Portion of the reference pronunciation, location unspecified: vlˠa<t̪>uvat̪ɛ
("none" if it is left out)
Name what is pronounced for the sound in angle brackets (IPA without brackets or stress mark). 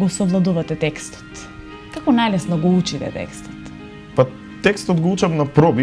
d̪